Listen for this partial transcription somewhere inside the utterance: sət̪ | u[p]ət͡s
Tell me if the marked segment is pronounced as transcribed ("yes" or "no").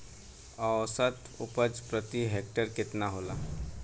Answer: yes